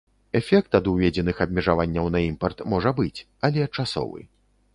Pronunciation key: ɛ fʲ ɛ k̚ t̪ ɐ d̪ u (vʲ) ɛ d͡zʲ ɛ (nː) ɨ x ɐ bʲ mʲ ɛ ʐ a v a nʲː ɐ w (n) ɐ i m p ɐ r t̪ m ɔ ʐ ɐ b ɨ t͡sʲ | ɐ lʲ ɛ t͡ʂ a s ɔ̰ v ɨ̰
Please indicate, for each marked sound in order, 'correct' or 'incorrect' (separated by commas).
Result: correct, incorrect, correct